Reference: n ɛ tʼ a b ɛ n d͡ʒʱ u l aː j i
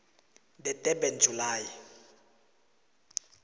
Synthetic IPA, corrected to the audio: d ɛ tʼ ɛ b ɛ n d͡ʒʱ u l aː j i